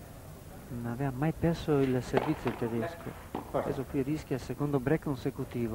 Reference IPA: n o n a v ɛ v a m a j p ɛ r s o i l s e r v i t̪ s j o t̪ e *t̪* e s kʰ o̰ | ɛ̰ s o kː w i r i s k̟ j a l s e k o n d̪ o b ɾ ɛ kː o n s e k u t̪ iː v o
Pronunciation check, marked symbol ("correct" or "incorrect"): incorrect